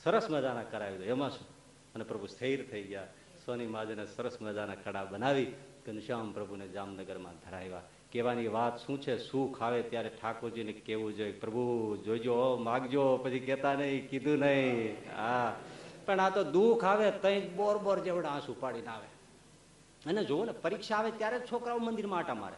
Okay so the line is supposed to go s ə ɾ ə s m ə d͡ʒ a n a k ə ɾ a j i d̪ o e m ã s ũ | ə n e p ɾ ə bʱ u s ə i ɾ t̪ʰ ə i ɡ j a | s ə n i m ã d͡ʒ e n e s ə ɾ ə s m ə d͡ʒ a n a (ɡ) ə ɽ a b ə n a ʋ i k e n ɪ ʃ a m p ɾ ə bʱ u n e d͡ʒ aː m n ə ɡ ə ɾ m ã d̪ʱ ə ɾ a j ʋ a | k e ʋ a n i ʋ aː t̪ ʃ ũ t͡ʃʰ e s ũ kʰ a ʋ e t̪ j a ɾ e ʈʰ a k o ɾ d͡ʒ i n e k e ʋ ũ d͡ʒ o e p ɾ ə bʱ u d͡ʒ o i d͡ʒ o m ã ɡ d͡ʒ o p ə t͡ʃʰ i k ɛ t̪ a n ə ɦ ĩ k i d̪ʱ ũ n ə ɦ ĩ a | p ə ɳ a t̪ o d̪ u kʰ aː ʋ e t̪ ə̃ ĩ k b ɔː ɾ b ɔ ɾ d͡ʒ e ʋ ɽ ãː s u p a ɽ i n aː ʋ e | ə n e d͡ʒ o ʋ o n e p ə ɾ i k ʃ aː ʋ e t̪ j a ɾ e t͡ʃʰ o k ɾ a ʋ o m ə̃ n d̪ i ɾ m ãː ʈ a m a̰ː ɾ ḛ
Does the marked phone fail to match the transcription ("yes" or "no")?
yes